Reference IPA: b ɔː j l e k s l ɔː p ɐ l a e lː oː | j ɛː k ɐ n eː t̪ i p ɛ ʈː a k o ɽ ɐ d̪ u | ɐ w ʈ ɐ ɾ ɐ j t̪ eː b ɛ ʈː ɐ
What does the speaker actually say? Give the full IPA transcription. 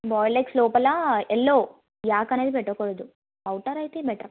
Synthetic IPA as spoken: b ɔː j l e k s l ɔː p ɐ l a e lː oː | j aː k ɐ n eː d̪ i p ɛ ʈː ɐ k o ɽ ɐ d̪ u | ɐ w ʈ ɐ ɾ ɐ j t̪ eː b ɛ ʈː ɐ